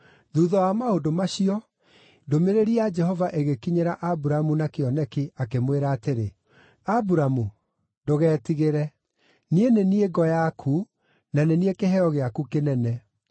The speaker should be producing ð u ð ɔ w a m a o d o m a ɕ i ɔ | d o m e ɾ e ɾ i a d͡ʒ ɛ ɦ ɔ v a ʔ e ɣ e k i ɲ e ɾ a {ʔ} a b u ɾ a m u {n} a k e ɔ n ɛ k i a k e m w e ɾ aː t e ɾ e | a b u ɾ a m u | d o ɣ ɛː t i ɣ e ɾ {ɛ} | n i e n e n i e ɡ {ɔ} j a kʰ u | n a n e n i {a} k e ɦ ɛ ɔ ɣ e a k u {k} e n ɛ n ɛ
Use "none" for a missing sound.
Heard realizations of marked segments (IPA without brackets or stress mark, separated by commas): ʔ, n, ɛ, ɔ, e, k